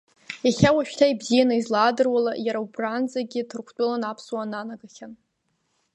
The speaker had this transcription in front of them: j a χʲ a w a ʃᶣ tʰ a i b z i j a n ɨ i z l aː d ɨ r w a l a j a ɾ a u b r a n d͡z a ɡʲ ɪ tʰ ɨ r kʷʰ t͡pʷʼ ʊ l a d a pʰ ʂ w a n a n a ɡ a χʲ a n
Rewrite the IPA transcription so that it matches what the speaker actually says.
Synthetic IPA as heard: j a χʲ a w a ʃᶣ tʰ a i b z i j a n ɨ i z l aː d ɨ r w a l a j a ɾ a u b r a n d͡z a ɡʲ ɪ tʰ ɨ r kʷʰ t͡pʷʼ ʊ l a n a pʰ s w a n a n a ɡ a χʲ a n

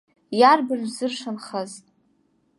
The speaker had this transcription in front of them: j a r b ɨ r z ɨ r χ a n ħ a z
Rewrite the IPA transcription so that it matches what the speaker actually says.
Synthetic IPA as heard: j a r b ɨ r z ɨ r ʂ a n χ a z

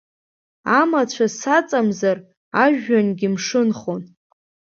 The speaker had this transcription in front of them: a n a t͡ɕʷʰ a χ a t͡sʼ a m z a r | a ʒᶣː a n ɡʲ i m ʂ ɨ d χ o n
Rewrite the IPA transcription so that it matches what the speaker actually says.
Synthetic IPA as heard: a m a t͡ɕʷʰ a s a t͡sʼ a m z a r | a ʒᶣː a n ɡʲ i m ʂ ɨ n χ o n

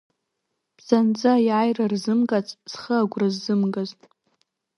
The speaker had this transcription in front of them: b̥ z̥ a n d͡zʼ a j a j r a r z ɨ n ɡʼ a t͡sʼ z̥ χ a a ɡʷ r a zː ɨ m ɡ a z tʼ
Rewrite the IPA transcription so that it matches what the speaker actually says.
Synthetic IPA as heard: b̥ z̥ a n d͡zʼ a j a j r a r z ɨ m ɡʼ a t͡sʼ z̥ χ ə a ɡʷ r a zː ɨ m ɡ a z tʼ

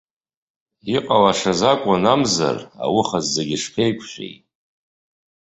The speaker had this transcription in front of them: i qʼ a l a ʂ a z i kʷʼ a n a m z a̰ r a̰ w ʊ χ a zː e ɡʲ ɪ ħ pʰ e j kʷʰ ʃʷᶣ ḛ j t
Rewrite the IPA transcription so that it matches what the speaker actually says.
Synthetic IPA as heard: i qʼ a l a ʂ a z a kʷʼ a n a m z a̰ r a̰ w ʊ χ a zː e ɡʲ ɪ ʂ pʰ e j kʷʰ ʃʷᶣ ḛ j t

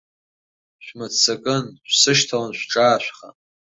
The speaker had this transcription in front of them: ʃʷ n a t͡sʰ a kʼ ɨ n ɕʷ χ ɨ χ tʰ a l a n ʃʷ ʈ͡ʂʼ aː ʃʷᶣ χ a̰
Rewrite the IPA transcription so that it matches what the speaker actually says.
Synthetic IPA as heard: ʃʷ m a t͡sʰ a kʼ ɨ n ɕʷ s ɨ ʃ tʰ a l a n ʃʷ ʈ͡ʂʼ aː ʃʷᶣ χ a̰

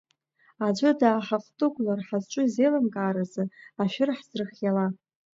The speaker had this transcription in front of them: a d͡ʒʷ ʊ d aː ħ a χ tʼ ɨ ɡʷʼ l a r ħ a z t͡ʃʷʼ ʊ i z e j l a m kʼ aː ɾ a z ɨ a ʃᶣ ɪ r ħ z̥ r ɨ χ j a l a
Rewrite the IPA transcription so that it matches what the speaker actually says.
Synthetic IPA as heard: a d͡ʒʷ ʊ d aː ħ a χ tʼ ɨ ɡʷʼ l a r ħ a z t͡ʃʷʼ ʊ i z e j l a m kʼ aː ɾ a z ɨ a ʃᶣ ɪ r ħ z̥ r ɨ χ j a l a

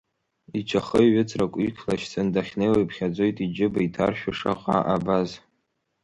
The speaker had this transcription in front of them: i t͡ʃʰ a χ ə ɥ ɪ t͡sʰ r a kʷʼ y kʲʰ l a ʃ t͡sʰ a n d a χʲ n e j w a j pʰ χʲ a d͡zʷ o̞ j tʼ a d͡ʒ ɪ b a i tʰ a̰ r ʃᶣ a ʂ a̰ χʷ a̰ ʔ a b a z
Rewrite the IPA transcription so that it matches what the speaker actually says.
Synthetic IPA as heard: i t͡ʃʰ a χ ə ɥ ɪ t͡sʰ r a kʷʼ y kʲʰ l a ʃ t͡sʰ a n d a χʲ n e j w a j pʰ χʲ a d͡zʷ o̞ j tʼ i d͡ʒ ɪ b a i tʰ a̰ r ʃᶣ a ʂ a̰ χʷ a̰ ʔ a b a z

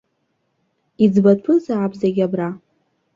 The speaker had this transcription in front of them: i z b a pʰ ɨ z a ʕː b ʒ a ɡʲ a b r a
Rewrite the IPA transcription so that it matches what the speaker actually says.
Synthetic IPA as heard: i d͡z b a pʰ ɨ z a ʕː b z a ɡʲ a b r a

